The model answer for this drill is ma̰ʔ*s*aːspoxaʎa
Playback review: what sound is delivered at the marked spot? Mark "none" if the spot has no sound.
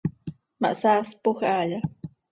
s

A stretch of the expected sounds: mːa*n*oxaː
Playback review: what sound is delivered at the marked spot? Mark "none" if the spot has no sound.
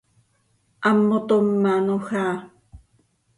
n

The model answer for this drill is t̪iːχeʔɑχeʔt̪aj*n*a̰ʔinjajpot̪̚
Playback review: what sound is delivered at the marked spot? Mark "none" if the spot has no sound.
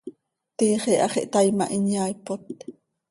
m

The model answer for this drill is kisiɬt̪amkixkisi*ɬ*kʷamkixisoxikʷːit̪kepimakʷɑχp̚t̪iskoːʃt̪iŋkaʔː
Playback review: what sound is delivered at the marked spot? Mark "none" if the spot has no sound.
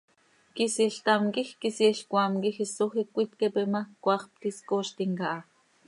ɬ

